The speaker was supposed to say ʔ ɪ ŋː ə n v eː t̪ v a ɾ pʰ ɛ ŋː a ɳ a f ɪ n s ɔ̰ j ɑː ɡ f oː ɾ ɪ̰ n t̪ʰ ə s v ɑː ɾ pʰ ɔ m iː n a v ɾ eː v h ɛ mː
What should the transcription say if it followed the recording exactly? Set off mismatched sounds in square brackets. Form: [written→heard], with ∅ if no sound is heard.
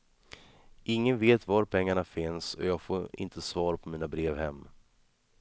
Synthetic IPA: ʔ ɪ ŋː ə n v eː t̪ v a ɾ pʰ ɛ ŋː a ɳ a f ɪ n s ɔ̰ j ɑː ɡ f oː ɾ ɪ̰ n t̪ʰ ə s v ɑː ɾ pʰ ɔ m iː n a [v→b] ɾ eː v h ɛ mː